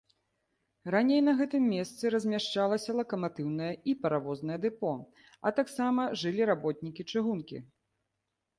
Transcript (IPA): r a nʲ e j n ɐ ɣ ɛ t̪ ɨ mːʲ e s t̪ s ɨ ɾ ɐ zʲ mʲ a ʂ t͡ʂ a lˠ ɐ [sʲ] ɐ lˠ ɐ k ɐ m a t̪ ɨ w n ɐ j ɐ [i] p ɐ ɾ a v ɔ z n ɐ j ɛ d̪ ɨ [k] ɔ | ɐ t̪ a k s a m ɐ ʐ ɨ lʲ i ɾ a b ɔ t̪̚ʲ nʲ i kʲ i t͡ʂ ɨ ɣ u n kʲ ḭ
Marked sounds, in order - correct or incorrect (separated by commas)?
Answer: correct, correct, incorrect